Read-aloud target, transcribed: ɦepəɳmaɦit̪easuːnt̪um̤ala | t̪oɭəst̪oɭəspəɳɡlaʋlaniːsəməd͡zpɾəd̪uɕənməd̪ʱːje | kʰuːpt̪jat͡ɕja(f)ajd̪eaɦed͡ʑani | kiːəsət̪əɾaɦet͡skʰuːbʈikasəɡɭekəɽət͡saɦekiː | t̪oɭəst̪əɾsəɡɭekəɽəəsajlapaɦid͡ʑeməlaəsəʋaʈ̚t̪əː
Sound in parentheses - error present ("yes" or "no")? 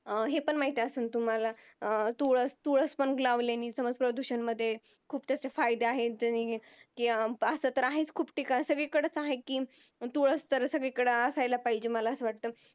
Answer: no